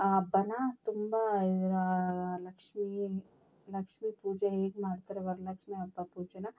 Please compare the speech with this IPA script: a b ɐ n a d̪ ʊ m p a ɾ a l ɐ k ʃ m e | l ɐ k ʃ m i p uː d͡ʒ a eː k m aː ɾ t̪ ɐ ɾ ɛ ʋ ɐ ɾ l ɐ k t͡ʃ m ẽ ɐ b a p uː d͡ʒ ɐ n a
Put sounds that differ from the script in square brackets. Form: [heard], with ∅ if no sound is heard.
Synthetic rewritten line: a b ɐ n a [t̪] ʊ m [b] a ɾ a l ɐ k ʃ m [i] | l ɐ k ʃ m i p uː d͡ʒ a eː k m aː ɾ t̪ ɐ ɾ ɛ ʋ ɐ ɾ l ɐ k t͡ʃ m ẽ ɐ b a p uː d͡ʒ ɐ n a

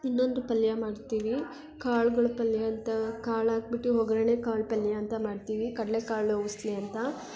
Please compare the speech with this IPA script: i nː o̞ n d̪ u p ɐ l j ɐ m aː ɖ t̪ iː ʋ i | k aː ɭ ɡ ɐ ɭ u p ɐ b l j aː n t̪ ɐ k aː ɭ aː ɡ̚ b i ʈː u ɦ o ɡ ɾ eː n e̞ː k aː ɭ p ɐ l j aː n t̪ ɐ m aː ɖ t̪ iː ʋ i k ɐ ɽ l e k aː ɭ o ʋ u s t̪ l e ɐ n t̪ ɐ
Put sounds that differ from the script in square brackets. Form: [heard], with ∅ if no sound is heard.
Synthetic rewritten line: i nː o̞ n d̪ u p ɐ l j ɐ m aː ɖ t̪ iː ʋ i | k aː ɭ ɡ ɐ ɭ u p ɐ [∅] l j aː n t̪ ɐ k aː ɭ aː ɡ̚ b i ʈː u ɦ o ɡ ɾ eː n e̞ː k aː ɭ p ɐ l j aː n t̪ ɐ m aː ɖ t̪ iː ʋ i k ɐ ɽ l e k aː ɭ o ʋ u s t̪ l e ɐ n t̪ ɐ

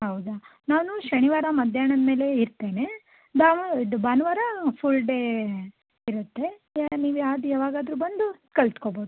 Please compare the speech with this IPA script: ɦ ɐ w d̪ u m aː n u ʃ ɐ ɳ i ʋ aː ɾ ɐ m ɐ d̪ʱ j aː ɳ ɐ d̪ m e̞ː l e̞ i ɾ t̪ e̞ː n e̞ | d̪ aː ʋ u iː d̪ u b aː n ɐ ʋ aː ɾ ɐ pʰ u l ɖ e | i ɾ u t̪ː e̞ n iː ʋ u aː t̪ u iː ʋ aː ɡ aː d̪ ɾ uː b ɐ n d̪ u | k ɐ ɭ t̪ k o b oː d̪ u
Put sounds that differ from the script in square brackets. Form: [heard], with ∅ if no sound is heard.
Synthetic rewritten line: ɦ ɐ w d̪ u [n] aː n u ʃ ɐ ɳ i ʋ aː ɾ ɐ m ɐ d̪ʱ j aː ɳ ɐ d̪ m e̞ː l e̞ i ɾ t̪ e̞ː n e̞ | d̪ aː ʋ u [i] d̪ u b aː n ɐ ʋ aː ɾ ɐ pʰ u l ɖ e | i ɾ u t̪ː e̞ n iː ʋ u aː [d̪] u [aː] ʋ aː ɡ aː d̪ ɾ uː b ɐ n d̪ u | k ɐ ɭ t̪ k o b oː d̪ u

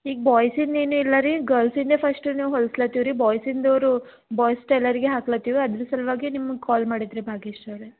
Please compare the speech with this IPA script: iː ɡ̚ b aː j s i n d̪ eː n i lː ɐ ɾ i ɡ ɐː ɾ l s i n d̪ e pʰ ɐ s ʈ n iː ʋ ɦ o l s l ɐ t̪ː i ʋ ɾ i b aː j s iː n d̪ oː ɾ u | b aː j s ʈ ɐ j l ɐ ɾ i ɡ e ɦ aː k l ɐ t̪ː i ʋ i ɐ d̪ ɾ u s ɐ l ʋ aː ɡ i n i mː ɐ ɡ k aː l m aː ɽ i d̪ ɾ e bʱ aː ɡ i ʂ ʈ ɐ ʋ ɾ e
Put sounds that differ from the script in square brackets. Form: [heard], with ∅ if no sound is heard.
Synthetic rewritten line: iː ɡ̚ b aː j s i n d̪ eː n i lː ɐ ɾ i ɡ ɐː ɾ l s i n d̪ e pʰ ɐ s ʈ n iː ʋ ɦ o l s l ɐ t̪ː i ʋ ɾ i b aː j s [i] n d̪ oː ɾ u | b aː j s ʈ ɐ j l ɐ ɾ i ɡ e ɦ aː k l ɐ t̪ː i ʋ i ɐ d̪ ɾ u s ɐ l ʋ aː ɡ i n i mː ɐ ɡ k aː l m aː ɽ i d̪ ɾ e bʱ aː ɡ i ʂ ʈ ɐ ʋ ɾ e

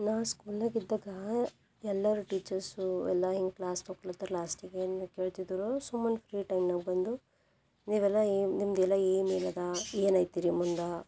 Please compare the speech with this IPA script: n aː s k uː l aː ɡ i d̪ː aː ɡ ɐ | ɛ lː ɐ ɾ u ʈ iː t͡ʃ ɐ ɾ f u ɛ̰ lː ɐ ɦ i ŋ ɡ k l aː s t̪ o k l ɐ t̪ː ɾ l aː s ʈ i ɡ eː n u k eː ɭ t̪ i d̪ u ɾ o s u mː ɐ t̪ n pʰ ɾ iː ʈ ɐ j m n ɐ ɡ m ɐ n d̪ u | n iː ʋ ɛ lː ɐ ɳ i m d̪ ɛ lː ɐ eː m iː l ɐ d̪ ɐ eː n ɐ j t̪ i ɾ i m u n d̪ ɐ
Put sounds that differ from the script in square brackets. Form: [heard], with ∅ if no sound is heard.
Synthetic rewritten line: n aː s k uː l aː ɡ i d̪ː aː ɡ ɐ | ɛ lː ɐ ɾ u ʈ iː t͡ʃ ɐ ɾ [s] u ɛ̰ lː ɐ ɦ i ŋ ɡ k l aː s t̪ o k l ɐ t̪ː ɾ l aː s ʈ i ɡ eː n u k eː ɭ t̪ i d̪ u ɾ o s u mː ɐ [∅] n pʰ ɾ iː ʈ ɐ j m n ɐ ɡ [b] ɐ n d̪ u | n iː ʋ ɛ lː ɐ [n] i m d̪ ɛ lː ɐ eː m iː l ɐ d̪ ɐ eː n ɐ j t̪ i ɾ i m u n d̪ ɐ

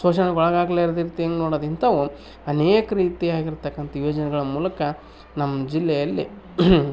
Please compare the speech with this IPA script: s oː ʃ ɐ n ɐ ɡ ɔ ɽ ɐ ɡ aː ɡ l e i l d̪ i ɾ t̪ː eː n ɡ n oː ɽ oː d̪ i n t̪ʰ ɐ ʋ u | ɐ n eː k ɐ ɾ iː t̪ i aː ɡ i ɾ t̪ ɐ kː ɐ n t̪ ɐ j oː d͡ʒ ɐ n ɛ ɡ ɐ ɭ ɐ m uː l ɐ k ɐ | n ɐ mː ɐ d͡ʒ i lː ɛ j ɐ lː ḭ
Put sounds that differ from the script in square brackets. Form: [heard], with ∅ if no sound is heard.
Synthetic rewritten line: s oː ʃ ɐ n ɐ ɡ ɔ [ɭ] ɐ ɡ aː ɡ l e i [ɾ] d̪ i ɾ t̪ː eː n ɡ n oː ɽ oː d̪ i n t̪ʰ ɐ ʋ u | ɐ n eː k ɐ ɾ iː t̪ i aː ɡ i ɾ t̪ ɐ kː ɐ n t̪ ɐ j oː d͡ʒ ɐ n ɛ ɡ ɐ ɭ ɐ m uː l ɐ k ɐ | n ɐ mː ɐ d͡ʒ i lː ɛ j ɐ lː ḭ

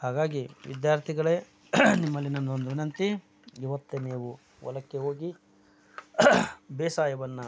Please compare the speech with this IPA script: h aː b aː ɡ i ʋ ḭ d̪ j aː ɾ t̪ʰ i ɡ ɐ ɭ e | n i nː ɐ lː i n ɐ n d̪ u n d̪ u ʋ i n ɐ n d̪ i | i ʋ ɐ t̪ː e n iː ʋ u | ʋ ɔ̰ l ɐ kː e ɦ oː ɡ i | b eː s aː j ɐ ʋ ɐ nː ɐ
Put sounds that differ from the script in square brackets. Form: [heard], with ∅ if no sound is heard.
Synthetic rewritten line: h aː [ɡ] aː ɡ i ʋ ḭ d̪ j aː ɾ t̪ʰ i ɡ ɐ ɭ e | n i [mː] ɐ lː i n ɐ n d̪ [o] n d̪ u ʋ i n ɐ n [t̪] i | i ʋ ɐ t̪ː e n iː ʋ u | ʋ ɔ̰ l ɐ kː e ɦ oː ɡ i | b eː s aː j ɐ ʋ ɐ nː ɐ

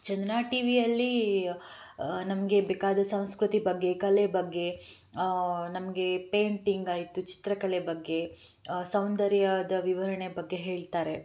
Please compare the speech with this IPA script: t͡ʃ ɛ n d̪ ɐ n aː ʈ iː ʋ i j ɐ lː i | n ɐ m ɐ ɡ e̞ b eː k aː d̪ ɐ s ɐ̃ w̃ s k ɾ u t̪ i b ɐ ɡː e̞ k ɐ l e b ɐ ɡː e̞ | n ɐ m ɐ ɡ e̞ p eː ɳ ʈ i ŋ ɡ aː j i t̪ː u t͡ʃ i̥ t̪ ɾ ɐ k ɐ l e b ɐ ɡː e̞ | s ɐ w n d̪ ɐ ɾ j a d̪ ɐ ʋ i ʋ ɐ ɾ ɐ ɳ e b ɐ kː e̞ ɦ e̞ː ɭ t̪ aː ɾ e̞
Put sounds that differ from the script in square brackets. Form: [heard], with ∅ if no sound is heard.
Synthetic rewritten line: t͡ʃ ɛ n d̪ ɐ n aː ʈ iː ʋ i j ɐ lː i | n ɐ m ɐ ɡ e̞ b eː k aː d̪ ɐ s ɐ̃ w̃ s k ɾ u t̪ i b ɐ ɡː e̞ k ɐ l e b ɐ ɡː e̞ | n ɐ m ɐ ɡ e̞ p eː ɳ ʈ i ŋ ɡ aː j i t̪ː u t͡ʃ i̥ t̪ ɾ ɐ k ɐ l e b ɐ ɡː e̞ | s ɐ w n d̪ ɐ ɾ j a d̪ ɐ ʋ i ʋ ɐ ɾ ɐ ɳ e b ɐ [ɡː] e̞ ɦ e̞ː ɭ t̪ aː ɾ e̞

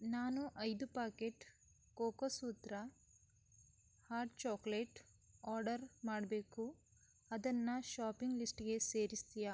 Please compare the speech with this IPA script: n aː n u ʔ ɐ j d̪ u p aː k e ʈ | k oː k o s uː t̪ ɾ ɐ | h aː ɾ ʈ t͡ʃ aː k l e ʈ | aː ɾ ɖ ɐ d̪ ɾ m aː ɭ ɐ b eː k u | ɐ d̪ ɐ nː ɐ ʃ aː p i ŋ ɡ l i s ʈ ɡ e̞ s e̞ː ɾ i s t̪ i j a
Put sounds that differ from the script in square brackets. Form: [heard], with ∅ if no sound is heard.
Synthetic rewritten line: n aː n u ʔ ɐ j d̪ u p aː k e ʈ | k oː k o s uː t̪ ɾ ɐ | h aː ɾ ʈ t͡ʃ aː k l e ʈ | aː ɾ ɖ ɐ [∅] ɾ m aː [ɽ] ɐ b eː k u | ɐ d̪ ɐ nː ɐ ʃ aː p i ŋ ɡ l i s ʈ ɡ e̞ s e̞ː ɾ i s t̪ i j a

